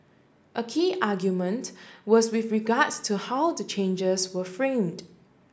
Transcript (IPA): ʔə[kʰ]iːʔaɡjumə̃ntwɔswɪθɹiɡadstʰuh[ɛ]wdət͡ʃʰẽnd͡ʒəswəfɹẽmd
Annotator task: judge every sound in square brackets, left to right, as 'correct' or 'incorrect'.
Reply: correct, incorrect: a

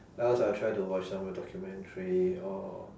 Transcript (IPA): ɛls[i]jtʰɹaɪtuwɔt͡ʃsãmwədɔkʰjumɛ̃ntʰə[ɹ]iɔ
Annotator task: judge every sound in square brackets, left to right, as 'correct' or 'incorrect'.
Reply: incorrect: a, correct

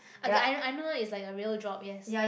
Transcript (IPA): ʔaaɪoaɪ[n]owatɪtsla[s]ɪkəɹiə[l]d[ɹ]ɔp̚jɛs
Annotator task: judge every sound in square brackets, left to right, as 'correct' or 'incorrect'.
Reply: correct, incorrect: none, correct, correct

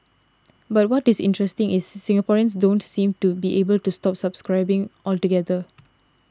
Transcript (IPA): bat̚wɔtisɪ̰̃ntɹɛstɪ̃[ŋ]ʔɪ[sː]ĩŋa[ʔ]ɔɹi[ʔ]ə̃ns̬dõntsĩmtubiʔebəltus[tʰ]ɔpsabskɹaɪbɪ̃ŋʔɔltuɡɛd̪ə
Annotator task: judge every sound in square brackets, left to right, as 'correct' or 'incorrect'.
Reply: correct, correct, incorrect: p, incorrect: none, incorrect: t

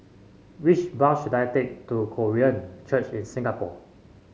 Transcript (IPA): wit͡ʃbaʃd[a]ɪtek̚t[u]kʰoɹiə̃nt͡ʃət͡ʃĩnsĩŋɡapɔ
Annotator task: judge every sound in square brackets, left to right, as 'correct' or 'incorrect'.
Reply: correct, correct

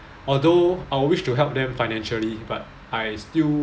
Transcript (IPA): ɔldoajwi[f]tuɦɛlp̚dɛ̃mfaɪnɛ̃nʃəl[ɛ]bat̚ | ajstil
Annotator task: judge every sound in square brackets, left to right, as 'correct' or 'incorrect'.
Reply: incorrect: ʃ, incorrect: i

